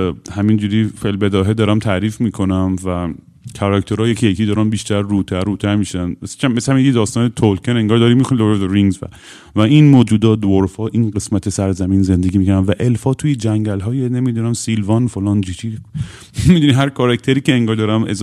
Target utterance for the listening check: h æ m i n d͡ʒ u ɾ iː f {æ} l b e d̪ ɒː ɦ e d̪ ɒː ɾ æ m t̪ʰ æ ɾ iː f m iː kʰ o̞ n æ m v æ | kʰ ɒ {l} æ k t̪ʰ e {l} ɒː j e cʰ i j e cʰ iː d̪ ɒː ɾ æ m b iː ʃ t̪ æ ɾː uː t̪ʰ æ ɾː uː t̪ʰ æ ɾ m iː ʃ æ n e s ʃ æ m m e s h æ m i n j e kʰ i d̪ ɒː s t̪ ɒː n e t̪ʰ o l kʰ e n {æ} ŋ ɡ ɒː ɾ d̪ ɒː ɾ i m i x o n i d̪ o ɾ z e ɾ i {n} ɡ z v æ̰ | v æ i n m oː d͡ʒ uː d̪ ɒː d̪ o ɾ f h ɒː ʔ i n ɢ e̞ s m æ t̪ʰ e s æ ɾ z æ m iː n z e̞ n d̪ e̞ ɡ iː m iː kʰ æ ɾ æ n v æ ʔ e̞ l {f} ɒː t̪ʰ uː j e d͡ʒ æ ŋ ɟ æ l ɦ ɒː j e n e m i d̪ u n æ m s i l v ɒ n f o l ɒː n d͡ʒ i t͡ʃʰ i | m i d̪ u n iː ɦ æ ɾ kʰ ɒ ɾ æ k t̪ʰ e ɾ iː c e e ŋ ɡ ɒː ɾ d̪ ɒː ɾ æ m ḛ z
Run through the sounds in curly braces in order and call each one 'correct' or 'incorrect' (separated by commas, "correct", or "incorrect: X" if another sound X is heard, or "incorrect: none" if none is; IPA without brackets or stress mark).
incorrect: e, incorrect: ɾ, incorrect: ɾ, incorrect: e, incorrect: ŋ, correct